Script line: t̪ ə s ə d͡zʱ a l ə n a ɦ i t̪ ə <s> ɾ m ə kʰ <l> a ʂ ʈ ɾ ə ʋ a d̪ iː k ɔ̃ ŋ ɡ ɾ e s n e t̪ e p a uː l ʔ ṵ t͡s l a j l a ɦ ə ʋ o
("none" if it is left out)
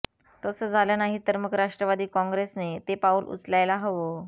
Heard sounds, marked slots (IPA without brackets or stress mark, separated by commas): none, ɾ